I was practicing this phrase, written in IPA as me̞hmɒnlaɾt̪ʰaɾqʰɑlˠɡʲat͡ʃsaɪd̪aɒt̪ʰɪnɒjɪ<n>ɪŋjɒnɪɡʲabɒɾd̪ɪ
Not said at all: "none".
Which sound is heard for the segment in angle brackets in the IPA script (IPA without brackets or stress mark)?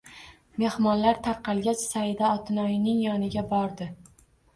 n